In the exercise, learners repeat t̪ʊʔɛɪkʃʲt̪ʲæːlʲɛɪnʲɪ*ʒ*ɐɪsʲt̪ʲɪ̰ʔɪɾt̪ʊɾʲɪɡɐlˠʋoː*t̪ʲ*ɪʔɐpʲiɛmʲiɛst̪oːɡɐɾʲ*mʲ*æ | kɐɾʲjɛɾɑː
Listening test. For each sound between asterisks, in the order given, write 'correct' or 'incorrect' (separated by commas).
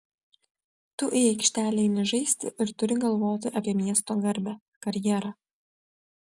correct, correct, incorrect